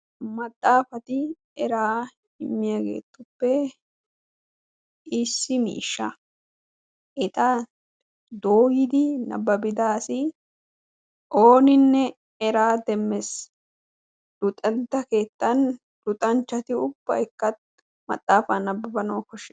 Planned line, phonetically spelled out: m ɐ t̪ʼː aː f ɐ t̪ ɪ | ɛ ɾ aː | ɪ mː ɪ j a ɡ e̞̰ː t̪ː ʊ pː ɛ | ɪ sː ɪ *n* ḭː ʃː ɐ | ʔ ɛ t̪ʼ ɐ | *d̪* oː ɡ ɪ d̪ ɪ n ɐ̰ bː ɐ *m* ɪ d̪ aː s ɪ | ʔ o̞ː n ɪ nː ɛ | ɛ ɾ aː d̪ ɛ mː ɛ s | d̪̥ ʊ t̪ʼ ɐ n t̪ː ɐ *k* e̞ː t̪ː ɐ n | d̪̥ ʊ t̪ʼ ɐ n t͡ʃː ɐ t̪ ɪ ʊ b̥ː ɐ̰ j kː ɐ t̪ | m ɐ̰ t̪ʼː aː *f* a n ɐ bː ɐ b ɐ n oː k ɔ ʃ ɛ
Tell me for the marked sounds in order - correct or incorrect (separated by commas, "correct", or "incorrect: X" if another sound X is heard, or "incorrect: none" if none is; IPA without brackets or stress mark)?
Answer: incorrect: m, correct, incorrect: b, correct, correct